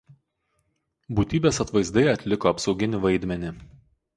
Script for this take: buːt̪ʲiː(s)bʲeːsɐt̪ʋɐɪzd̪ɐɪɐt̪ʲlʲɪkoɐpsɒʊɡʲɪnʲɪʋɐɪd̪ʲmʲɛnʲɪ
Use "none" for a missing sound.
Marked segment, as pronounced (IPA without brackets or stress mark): none